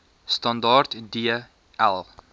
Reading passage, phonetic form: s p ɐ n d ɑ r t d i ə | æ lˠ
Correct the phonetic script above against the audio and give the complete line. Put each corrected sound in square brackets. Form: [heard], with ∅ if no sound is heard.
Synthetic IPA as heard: s [t] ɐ n d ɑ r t d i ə | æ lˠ